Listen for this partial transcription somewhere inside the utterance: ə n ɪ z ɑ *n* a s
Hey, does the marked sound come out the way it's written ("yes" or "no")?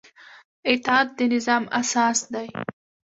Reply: no